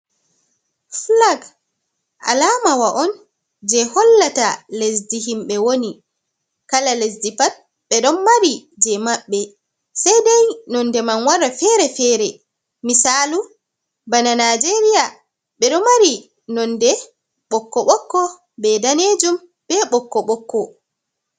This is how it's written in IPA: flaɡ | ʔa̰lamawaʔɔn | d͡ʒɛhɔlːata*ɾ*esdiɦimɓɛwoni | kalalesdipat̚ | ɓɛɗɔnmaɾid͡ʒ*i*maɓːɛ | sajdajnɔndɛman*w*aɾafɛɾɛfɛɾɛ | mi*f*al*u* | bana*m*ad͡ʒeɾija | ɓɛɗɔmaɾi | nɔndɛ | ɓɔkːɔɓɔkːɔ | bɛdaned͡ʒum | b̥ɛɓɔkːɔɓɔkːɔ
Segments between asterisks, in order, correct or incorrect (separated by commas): incorrect, incorrect, correct, incorrect, correct, incorrect